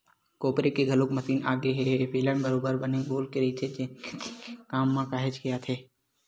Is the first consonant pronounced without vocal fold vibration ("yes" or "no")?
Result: yes